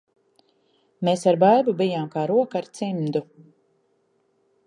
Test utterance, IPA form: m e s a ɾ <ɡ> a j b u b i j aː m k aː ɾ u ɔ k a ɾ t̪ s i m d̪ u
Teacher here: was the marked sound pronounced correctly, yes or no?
no